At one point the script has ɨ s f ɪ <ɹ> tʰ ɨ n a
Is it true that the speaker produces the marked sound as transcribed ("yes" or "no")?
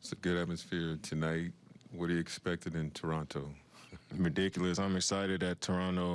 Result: yes